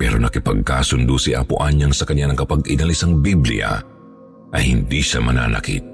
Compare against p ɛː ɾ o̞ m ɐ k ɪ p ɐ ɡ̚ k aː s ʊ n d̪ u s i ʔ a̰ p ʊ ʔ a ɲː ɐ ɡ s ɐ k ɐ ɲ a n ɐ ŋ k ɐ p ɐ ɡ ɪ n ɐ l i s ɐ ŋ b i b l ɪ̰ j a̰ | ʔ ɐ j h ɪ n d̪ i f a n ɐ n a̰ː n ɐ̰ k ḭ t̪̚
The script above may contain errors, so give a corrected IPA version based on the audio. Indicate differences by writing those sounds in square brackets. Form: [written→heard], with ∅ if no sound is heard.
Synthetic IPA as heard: p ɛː ɾ o̞ [m→n] ɐ k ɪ p ɐ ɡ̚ k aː s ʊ n d̪ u s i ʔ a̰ p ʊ ʔ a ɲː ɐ [ɡ→ŋ] s ɐ k ɐ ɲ a n ɐ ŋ k ɐ p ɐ ɡ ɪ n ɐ l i s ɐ ŋ b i b l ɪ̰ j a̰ | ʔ ɐ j h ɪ n d̪ i [f→ʃ] a [n→m] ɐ n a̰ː n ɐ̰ k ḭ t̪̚